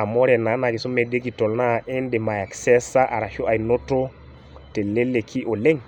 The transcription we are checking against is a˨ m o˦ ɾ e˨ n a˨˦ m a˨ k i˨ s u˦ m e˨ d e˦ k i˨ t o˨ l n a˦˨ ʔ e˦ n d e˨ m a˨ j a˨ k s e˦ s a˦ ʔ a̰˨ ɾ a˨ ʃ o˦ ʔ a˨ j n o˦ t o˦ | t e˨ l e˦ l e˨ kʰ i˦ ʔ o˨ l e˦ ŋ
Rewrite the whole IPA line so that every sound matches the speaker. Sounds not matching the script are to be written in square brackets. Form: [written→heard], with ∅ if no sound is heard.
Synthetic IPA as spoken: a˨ m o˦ ɾ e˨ n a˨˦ [m→n] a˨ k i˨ s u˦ m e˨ d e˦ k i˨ t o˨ l n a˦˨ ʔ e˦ n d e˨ m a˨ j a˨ k s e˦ s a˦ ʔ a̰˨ ɾ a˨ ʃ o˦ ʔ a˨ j n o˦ t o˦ | t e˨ l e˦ l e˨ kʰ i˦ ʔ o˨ l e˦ ŋ